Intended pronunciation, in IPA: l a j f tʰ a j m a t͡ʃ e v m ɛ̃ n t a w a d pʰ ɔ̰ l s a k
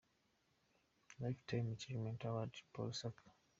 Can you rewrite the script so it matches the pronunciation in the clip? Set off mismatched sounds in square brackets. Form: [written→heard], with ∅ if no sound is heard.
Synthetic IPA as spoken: l a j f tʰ a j m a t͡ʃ [e→i] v m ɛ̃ n t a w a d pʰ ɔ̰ l s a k